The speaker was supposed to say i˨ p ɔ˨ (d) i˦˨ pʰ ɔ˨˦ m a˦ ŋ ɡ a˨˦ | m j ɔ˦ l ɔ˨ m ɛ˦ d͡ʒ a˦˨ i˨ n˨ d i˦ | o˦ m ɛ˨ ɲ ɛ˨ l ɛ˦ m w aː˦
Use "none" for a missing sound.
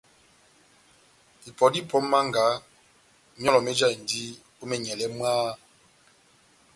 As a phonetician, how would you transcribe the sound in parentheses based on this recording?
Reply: d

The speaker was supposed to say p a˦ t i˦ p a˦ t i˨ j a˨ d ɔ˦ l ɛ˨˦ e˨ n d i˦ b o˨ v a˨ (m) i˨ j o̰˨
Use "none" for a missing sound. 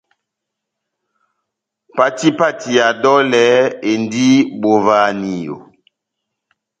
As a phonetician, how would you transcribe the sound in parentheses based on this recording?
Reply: n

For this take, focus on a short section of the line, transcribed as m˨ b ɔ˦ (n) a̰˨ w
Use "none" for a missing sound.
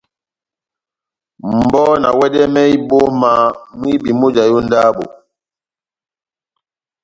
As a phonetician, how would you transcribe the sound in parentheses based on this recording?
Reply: n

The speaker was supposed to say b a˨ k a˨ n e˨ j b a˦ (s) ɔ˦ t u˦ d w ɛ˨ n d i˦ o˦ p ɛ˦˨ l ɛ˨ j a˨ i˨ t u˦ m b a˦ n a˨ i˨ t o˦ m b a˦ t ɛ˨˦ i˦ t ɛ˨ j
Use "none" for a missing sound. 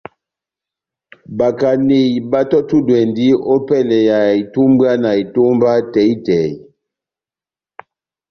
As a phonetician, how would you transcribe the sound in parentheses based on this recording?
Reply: t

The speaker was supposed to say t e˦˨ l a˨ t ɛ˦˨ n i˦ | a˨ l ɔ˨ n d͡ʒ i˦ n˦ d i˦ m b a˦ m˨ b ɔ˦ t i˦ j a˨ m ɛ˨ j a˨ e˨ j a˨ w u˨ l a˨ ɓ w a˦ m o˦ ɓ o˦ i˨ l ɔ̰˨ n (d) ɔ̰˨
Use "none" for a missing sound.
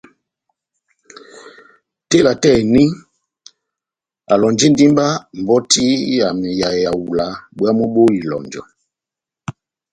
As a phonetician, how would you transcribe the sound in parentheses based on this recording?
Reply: d͡ʒ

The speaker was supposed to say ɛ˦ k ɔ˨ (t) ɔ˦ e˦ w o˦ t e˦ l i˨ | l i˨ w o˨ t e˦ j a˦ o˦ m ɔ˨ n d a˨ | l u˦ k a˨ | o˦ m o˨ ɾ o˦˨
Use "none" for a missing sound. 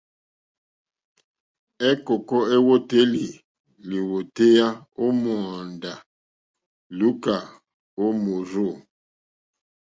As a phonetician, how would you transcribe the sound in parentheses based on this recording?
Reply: k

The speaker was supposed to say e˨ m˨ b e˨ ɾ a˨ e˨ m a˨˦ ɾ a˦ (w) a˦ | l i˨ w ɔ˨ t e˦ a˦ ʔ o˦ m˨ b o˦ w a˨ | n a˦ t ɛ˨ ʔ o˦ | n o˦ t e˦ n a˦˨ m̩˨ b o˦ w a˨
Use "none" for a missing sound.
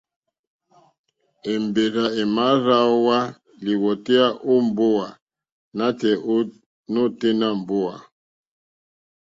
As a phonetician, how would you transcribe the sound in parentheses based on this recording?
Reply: w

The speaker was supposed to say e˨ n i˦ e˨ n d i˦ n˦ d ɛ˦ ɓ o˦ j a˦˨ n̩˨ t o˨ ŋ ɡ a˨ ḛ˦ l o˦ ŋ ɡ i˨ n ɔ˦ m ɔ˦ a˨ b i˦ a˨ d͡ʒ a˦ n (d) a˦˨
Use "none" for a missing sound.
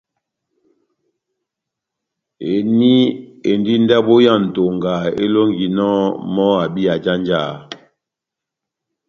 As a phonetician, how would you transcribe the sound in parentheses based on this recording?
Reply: d͡ʒ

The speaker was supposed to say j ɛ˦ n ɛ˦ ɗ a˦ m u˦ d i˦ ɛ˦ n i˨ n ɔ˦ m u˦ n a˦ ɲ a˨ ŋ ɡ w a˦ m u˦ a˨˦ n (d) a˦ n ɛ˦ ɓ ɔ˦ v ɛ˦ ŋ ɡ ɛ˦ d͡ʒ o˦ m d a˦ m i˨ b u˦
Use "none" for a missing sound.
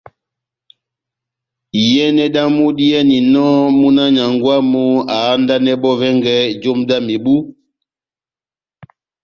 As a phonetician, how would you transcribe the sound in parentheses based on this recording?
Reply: d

